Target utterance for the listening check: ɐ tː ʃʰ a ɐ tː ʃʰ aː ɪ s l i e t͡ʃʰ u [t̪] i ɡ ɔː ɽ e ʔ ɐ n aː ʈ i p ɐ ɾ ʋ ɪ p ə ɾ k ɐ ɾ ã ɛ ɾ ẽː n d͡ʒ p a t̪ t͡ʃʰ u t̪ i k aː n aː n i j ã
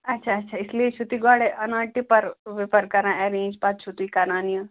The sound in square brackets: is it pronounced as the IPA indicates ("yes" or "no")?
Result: yes